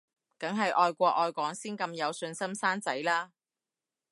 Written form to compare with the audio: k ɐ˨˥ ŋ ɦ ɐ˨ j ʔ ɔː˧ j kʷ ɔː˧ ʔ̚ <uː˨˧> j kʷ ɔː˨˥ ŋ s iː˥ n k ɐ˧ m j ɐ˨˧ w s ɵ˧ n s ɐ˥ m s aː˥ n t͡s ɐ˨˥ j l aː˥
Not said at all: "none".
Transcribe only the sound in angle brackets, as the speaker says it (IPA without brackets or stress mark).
ɔː˨˧